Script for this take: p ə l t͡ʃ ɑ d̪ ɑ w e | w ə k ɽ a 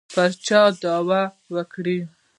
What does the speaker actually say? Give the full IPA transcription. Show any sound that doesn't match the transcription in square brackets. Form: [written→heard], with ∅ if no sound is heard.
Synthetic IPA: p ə [l→ɾ] t͡ʃ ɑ d̪ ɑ w [e→a] | w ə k ɽ [a→i]